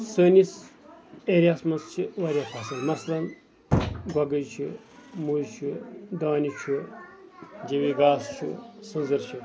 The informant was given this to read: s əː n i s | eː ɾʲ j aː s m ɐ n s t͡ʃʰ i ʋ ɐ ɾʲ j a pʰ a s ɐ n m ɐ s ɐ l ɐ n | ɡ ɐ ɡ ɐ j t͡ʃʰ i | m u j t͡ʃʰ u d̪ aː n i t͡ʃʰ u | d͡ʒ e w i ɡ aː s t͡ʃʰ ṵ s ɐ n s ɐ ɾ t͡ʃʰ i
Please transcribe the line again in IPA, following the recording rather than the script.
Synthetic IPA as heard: s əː n i s | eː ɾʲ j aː s m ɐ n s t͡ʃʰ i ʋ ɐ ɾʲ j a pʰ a s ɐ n m ɐ s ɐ l ɐ n | ɡ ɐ ɡ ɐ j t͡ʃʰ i | m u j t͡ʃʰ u d̪ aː n i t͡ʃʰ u | d͡ʒ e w i ɡ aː s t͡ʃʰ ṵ s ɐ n z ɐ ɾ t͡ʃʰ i